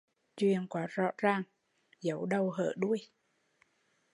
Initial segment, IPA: t͡ɕ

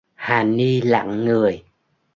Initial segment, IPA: h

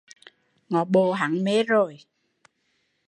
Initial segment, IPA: ŋ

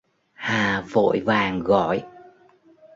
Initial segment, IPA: h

